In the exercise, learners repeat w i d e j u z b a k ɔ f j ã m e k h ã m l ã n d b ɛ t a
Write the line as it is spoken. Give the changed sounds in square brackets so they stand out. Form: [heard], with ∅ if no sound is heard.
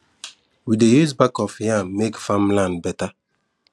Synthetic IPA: w i d e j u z b a k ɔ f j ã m e k [f] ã m l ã n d b ɛ t a

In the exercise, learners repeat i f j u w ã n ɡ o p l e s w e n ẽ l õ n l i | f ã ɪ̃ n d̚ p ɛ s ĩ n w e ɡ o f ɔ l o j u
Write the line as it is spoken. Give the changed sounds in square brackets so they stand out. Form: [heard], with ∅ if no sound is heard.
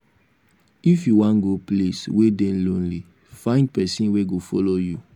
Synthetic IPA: i f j u w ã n ɡ o p l e s w e [d] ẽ l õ n l i | f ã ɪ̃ n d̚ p ɛ s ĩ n w e ɡ o f ɔ l o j u

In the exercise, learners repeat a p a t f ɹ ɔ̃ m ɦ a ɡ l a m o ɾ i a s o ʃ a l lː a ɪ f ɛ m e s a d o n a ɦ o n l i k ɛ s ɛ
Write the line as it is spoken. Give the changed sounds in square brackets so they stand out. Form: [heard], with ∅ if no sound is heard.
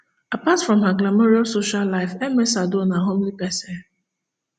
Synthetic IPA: a p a t f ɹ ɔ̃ m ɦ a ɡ l a m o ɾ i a s o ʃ a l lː a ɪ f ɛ m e s a d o n a ɦ o [m] l i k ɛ s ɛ

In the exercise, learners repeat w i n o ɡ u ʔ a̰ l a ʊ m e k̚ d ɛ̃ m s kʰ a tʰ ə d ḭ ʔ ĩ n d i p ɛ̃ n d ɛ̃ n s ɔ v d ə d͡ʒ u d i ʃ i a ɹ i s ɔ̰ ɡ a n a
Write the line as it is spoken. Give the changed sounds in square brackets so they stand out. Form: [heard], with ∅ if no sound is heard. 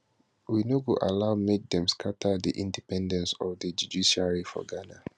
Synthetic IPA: w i n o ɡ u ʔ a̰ l a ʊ m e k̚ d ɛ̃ m s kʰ a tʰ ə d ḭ ʔ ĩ n d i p ɛ̃ n d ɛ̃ n s ɔ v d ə d͡ʒ u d i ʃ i a ɹ i [f] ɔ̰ ɡ a n a

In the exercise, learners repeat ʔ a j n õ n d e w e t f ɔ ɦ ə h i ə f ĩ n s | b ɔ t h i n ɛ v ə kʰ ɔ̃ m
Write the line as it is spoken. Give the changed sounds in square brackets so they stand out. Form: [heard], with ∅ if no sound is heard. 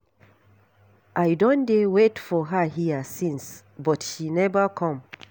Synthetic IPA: ʔ a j [d] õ n d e w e t f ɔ ɦ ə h i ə [s] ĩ n s | b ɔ t [ʃ] i n ɛ v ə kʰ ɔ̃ m

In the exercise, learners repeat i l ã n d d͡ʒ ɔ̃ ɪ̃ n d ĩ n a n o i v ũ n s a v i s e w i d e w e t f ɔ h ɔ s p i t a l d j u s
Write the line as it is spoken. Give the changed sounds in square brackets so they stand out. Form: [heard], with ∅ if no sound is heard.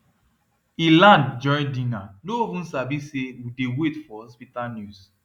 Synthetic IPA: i l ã n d d͡ʒ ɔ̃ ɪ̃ n d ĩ n a n o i v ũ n s a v i s e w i d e w e t f ɔ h ɔ s p i t a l [n] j u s

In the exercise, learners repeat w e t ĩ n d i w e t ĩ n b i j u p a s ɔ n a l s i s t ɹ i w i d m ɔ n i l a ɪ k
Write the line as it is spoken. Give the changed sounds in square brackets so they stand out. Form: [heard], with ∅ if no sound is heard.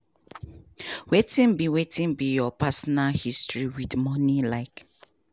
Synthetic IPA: w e t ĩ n [b] i w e t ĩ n b i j [ɔ] p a s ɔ n a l [h] i s t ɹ i w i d m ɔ n i l a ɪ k

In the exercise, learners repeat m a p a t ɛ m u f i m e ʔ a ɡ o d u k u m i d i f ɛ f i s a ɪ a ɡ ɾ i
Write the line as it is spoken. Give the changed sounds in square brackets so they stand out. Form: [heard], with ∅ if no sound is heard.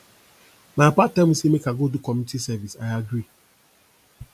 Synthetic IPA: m a p a t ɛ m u [s] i m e [k] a ɡ o d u k [ɔ] m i [t] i [s] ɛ [v] i s a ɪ a ɡ ɾ i

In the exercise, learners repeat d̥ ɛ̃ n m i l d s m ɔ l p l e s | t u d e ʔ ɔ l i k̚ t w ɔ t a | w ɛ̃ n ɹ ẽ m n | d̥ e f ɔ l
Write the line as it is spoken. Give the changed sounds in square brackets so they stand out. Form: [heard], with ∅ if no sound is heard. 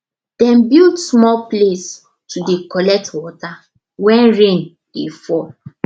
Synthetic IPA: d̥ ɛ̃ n [b] i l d s m ɔ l p l e s | t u d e [k] ɔ l [ɛ] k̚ t w ɔ t a | w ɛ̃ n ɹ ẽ [∅] n | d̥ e f ɔ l

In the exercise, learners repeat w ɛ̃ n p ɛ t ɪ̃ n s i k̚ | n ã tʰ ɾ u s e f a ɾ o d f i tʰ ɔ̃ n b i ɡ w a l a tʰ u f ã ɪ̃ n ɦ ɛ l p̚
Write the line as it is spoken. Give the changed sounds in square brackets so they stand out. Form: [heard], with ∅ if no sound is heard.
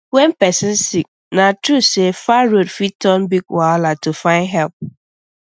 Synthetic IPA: w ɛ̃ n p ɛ [s] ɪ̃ n s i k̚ | n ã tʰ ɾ u s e f a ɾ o d f i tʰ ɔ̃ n b i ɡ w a l a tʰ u f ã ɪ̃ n ɦ ɛ l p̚

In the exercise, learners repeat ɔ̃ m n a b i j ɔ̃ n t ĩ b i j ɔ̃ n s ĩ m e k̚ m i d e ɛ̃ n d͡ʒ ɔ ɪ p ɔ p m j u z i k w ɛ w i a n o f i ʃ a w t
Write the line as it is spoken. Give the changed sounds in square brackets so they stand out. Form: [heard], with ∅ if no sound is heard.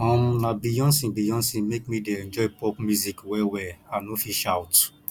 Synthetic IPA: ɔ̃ m n a b i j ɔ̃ n [s] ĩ b i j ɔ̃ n s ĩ m e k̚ m i d e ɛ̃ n d͡ʒ ɔ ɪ p ɔ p m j u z i k w ɛ w [ɛ] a n o f i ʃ a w t

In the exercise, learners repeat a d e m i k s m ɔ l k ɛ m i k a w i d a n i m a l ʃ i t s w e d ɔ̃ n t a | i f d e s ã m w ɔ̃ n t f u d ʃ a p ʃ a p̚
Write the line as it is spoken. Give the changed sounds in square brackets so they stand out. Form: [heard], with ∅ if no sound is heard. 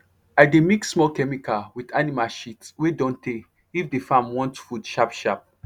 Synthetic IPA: a d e m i k s m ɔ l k ɛ m i k a w i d a n i m a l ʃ i t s w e d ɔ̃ n t [e] | i f d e [f] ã m w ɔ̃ n t f u d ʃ a p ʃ a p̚

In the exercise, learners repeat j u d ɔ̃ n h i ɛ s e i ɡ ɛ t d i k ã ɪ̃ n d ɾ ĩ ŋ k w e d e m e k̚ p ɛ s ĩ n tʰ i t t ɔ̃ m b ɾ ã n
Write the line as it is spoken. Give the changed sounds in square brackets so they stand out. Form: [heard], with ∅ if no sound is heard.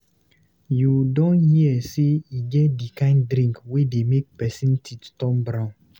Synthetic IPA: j u d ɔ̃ n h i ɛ s e i ɡ ɛ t d i k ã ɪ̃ n d ɾ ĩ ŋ k w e d e m e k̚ p ɛ s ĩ n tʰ i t t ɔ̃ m b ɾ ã n

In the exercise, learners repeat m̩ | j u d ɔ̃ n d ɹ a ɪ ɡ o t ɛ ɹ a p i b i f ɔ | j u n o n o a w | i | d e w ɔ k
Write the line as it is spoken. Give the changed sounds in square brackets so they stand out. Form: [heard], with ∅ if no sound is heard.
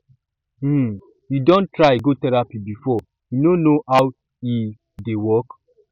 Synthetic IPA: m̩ | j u d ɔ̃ n [t] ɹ a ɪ ɡ o t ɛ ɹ a p i b i f ɔ | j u n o n o a w | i | d e w ɔ k

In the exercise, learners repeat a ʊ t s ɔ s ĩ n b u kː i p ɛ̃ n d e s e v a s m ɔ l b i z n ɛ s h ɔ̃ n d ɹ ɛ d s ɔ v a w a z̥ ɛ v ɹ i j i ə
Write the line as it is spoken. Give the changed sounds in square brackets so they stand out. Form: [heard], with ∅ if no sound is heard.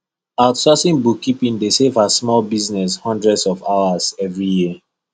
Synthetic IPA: a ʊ t s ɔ s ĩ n b u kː i p [ĩ] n d e s e v a s m ɔ l b i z n ɛ s h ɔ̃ n d ɹ ɛ d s ɔ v a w a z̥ ɛ v ɹ i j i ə

